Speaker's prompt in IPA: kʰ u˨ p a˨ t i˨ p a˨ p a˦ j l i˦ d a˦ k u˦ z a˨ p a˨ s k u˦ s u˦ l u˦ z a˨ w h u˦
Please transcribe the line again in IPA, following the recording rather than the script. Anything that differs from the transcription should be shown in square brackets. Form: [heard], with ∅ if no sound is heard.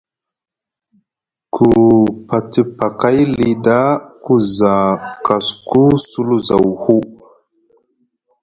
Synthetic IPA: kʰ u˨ p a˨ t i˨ p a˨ [k] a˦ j l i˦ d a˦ k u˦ z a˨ [k] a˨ s k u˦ s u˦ l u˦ z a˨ w h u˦